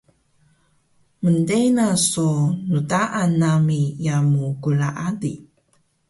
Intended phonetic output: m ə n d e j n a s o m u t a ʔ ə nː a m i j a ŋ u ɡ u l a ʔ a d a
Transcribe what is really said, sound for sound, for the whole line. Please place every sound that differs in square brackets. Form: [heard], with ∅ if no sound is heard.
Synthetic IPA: m ə n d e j n a s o [n] u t a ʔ [a] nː a m i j a [m] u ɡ u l a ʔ a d [i]

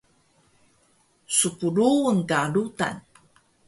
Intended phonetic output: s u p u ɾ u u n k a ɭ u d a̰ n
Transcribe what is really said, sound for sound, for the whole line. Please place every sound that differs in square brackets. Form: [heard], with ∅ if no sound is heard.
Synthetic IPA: s u p u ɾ u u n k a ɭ u [t] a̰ n

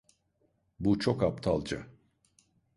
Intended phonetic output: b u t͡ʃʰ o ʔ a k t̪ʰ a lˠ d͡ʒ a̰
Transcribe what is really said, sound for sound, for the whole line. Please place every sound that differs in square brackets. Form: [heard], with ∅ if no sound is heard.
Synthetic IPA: b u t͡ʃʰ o [k] a [p] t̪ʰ a lˠ d͡ʒ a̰

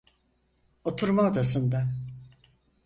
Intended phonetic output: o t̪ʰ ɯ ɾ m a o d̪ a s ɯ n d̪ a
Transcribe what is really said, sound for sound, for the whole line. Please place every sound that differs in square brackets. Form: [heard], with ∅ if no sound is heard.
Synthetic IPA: o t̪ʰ [u] ɾ m a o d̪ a s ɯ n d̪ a

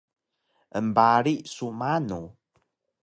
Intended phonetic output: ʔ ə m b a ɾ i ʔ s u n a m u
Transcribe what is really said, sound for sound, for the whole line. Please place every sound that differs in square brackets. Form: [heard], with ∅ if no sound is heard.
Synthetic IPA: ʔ ə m b a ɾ i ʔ s u [m] a [n] u

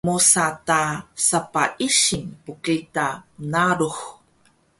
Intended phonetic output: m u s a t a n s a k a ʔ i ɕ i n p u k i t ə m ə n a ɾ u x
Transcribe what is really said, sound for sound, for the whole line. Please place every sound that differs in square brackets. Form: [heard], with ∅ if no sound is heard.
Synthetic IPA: m u s a t a [∅] s a [p] a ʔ i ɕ i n p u k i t [a] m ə n a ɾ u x

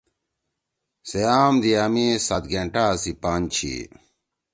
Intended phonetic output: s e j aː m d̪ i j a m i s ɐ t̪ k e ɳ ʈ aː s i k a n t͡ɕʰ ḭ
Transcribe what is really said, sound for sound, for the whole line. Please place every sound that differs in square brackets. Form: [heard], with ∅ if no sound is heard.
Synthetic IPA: s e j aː m d̪ i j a m i s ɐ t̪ [ɡ] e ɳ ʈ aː s i [p] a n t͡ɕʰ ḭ

